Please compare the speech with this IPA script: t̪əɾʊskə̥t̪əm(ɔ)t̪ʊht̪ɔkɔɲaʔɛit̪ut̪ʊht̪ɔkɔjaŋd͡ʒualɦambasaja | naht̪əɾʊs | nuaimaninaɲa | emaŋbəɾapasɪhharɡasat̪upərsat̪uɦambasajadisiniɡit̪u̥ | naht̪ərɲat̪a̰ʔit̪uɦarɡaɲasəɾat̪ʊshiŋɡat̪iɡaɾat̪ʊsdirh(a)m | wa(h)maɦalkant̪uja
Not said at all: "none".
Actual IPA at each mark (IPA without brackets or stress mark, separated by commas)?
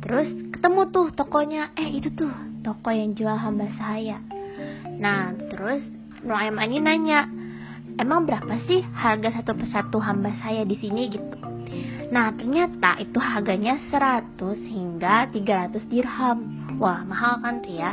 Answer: u, a, h